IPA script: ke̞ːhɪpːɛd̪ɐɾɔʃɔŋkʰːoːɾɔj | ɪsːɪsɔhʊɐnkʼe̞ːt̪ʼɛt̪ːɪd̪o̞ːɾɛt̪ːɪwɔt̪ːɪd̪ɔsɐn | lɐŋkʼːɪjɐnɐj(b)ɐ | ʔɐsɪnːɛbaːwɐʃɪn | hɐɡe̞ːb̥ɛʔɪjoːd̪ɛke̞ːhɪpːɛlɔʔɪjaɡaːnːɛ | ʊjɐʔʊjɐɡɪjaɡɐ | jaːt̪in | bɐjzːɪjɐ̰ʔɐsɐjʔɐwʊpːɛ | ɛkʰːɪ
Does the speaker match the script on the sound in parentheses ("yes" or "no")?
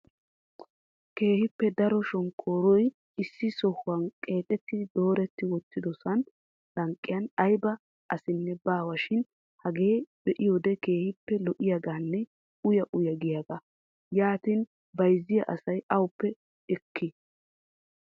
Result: yes